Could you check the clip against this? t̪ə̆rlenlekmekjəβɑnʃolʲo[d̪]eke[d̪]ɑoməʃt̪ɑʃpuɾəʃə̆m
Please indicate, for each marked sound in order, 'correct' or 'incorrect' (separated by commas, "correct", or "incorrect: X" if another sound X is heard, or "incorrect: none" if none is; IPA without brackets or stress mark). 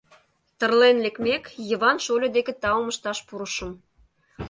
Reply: correct, incorrect: t̪